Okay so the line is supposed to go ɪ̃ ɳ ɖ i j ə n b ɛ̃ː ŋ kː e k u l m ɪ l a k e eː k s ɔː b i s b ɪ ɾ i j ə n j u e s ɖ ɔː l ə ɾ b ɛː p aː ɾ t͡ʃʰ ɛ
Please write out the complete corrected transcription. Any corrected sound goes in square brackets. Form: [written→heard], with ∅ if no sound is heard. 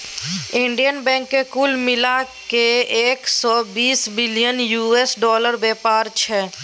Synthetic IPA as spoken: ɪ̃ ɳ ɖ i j ə n b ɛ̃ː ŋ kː e k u l m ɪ l a k e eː k s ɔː b [i→iː] s b ɪ [ɾ→l] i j ə n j u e s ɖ ɔː l ə ɾ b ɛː p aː ɾ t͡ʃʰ ɛ